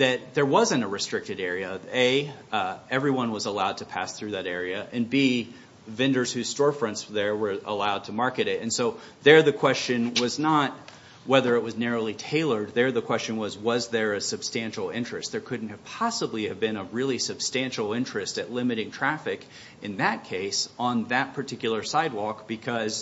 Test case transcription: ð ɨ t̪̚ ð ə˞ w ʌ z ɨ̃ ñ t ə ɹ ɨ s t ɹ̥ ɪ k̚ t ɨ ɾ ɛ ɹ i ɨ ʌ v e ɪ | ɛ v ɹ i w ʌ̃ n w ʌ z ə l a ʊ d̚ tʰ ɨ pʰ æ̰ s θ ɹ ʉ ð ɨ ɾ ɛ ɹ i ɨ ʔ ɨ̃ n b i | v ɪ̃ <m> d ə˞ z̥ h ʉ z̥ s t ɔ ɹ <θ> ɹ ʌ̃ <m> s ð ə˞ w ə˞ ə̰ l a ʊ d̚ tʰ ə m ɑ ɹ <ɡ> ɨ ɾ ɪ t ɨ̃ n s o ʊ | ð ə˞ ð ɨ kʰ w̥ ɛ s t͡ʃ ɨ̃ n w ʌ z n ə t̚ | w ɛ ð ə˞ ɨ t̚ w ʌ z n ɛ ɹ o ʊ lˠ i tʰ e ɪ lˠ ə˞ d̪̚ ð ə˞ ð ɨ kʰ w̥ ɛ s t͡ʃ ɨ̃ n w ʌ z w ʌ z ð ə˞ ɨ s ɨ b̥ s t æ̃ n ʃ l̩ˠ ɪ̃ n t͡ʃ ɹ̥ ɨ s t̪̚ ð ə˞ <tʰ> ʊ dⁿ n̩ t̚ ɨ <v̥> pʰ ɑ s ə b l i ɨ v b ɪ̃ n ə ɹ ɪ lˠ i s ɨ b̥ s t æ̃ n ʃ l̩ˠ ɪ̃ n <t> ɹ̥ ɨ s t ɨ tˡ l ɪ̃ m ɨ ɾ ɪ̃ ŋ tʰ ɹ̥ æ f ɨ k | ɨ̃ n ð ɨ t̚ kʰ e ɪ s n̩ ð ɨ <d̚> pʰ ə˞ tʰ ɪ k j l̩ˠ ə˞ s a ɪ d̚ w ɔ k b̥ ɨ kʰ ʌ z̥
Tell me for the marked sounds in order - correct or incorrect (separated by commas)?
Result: incorrect, incorrect, incorrect, incorrect, incorrect, correct, incorrect, incorrect